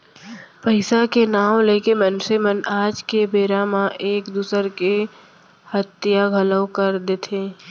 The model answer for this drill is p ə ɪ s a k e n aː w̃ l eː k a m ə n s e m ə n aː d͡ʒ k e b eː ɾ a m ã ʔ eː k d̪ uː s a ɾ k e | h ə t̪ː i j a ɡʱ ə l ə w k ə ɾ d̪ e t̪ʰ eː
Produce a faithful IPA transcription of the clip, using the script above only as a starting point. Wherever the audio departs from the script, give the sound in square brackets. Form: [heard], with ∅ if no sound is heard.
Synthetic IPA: p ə ɪ s a k e n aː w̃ l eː k [e] m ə n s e m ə n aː d͡ʒ k e b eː ɾ a m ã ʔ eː k d̪ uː s [ə] ɾ k e | h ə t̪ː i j a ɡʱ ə l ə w k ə ɾ d̪ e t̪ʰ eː